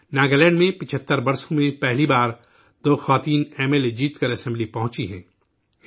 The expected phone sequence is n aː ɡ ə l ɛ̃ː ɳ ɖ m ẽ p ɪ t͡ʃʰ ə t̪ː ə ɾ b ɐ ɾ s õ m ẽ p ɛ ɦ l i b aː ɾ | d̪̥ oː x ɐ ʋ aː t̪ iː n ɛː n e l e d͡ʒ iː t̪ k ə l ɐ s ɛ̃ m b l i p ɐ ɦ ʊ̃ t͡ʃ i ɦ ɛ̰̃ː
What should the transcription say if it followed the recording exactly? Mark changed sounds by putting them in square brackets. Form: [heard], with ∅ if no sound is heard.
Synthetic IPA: n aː ɡ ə l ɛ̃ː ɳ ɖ m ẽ p ɪ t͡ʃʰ ə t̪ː ə ɾ b ɐ ɾ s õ m ẽ p ɛ ɦ l i b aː ɾ | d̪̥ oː x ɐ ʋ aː t̪ iː n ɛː [m] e l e d͡ʒ iː t̪ k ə [ɾ] ɐ s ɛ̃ m b l i p ɐ ɦ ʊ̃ t͡ʃ i ɦ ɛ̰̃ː